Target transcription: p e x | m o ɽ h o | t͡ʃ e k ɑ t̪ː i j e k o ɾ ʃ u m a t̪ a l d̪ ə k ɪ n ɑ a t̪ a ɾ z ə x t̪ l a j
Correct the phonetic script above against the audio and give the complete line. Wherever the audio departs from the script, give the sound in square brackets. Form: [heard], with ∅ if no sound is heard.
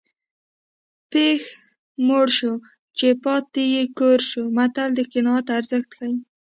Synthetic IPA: p e x | m o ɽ [ʃ] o | t͡ʃ e [p] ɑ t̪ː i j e k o ɾ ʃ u m a t̪ a l d̪ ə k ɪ n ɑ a t̪ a ɾ z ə x t̪ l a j

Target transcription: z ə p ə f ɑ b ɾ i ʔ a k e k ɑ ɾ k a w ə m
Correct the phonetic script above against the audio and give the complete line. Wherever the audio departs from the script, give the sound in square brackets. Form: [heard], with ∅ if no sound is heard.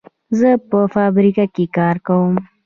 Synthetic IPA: z ə p ə f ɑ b ɾ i [k] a k e k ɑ ɾ k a w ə m

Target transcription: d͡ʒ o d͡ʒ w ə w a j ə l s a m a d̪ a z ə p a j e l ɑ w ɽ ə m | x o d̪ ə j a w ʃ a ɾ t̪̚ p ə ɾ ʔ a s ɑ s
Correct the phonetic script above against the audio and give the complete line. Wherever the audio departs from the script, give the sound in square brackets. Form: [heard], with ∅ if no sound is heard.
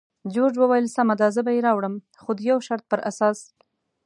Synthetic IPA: d͡ʒ o d͡ʒ w ə w a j ə l s a m a d̪ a z ə [b] a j e [ɾ] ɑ w ɽ ə m | x o d̪ ə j a w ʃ a ɾ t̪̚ p ə ɾ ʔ a s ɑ s

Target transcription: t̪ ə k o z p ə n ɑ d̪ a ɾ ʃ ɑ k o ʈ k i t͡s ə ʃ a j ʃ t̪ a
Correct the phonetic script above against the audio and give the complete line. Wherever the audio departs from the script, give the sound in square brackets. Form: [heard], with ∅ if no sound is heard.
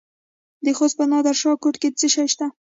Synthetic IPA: [d̪] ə [x] o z p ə n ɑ d̪ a ɾ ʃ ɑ k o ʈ k [e] t͡s ə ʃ a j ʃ t̪ a

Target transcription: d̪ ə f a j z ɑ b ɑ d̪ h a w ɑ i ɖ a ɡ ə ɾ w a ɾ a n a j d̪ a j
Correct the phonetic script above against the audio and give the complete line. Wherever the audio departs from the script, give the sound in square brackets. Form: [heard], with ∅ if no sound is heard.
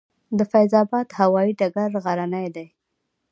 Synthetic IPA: d̪ ə f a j z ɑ b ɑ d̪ h a w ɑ i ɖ a ɡ [a] ɾ [ɣ] a ɾ a n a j d̪ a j

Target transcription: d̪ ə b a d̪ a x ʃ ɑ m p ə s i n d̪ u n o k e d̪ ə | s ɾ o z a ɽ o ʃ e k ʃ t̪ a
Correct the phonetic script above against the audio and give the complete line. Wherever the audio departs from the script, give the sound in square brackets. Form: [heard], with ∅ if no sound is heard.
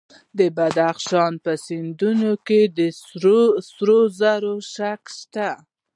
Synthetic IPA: d̪ ə b a d̪ a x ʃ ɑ [n] p ə s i n d̪ u n o k e d̪ ə | s ɾ o z a [ɾ] o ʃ [a] k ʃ t̪ a

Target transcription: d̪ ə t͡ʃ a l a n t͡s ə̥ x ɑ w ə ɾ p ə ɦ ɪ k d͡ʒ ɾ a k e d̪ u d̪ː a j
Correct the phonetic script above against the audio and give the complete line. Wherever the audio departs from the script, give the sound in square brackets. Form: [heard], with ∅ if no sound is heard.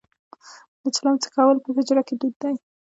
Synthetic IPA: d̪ ə t͡ʃ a l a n t͡s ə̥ [k] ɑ w ə [l] p ə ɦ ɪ [∅] d͡ʒ ɾ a k e d̪ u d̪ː a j

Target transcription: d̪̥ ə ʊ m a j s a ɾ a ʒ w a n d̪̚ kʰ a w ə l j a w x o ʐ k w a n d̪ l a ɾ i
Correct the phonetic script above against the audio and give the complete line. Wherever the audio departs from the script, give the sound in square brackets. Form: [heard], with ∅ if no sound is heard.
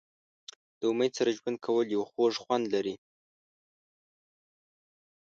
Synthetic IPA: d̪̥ ə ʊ m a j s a ɾ a ʒ w a n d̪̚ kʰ a w ə l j a w x o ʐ [x] w a n d̪ l a ɾ i

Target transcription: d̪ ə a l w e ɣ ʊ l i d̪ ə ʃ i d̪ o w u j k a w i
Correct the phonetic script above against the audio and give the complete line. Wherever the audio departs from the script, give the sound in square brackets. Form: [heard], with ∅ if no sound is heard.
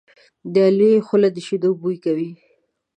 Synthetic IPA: d̪ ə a l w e [x] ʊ l [a] d̪ ə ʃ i d̪ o [b] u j k a w i

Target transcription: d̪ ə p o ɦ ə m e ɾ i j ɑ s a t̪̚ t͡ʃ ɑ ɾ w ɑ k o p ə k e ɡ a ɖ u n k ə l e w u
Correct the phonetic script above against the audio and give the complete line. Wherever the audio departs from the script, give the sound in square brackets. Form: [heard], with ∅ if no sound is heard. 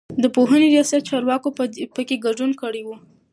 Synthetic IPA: d̪ ə p o ɦ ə [n] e ɾ i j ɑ s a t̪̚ t͡ʃ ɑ ɾ w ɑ k o p ə k e ɡ a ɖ u n k ə [ɽ] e w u

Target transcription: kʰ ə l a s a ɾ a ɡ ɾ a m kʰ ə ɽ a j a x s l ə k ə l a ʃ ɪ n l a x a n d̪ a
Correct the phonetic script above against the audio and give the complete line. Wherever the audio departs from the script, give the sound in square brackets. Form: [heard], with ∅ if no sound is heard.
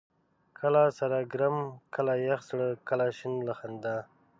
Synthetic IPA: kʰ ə l a s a ɾ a ɡ ɾ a m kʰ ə [l] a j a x s [ɽ] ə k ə l a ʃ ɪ n l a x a n d̪ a

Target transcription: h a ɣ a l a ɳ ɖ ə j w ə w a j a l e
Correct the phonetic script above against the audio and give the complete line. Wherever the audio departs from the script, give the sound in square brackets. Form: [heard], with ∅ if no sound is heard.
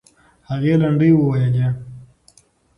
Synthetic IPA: h a ɣ [e] l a ɳ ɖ ə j w ə w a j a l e

